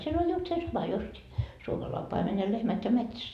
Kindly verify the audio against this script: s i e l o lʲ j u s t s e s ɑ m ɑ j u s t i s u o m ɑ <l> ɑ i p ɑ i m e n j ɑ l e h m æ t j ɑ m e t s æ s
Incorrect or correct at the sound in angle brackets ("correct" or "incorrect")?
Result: correct